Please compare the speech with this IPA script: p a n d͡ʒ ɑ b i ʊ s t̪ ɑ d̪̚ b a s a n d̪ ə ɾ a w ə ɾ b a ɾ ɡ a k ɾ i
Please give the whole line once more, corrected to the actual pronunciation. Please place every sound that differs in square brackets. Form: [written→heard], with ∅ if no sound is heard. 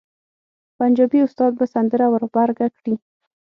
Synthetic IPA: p a n d͡ʒ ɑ b i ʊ s t̪ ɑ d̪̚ b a s a n d̪ ə ɾ a w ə ɾ b a ɾ ɡ a k [ɾ→ɽ] i

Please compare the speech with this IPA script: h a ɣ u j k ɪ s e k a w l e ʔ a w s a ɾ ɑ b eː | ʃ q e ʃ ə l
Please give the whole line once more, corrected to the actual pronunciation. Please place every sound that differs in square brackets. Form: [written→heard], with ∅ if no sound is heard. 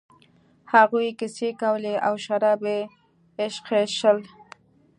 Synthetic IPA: h a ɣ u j k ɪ s e k a w l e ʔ a w [s→ʃ] a ɾ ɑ b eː | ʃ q e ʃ ə l

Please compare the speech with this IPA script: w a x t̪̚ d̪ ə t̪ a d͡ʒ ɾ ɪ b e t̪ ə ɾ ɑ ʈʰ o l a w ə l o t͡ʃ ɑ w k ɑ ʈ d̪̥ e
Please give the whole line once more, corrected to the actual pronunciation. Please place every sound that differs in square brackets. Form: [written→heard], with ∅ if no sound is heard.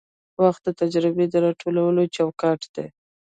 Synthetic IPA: w a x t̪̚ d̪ ə t̪ a d͡ʒ ɾ ɪ b e [t̪→d̪] ə ɾ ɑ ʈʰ o l a w ə l o t͡ʃ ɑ w k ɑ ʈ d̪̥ e

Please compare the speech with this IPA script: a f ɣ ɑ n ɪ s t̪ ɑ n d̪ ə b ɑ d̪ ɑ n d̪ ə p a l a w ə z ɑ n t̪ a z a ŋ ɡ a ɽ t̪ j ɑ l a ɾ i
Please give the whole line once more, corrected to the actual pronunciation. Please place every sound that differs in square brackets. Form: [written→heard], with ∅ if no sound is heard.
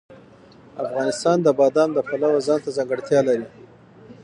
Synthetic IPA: a f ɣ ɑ n ɪ s t̪ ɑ n d̪ ə b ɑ d̪ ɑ n d̪ ə p a l a w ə z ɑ n t̪ a z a ŋ ɡ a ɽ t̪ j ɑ l a ɾ i

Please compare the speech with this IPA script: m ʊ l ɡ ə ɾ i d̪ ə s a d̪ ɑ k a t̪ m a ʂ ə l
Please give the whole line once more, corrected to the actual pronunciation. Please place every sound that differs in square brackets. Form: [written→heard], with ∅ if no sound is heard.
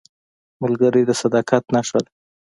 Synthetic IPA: m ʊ l ɡ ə ɾ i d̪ ə s a d̪ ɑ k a t̪ [m→n] a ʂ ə l

